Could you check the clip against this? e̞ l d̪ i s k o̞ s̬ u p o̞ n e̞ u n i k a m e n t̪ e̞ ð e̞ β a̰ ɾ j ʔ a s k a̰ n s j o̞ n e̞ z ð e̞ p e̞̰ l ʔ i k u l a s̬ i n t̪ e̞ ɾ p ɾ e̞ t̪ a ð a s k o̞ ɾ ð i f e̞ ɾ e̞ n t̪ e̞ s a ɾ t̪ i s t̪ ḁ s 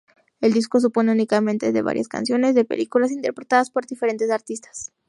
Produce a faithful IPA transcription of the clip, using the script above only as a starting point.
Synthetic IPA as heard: e̞ l d̪ i s k o̞ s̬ u p o̞ n e̞ u n i k a m e n t̪ e̞ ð e̞ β a̰ ɾ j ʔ a s k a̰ n s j o̞ n e̞ z ð e̞ p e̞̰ l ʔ i k u l a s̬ i n t̪ e̞ ɾ p ɾ e̞ t̪ a ð a s p o̞ ɾ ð i f e̞ ɾ e̞ n t̪ e̞ s a ɾ t̪ i s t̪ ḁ s